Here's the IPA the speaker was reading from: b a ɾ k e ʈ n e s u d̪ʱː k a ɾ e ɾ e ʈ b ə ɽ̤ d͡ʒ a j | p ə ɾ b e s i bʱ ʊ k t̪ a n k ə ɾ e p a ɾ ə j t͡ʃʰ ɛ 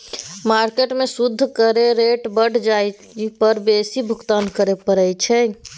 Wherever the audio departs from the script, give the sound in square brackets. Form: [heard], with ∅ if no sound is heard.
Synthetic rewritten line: [m] a ɾ k e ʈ [m] e s u d̪ʱː k [ə] ɾ e ɾ e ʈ b ə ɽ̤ d͡ʒ a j | p ə ɾ b e s i bʱ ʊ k t̪ a n k ə ɾ e p [ə] ɾ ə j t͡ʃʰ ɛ